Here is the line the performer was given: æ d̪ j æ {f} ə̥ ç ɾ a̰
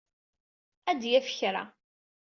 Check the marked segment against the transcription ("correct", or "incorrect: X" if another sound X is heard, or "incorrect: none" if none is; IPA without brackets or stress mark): correct